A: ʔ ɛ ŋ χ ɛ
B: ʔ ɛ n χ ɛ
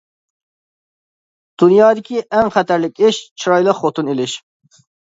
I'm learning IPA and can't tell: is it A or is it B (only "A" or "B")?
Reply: A